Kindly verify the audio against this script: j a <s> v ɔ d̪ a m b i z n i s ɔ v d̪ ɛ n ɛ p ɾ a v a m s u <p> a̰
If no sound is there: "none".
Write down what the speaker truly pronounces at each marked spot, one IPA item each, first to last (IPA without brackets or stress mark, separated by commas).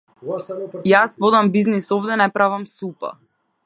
s, p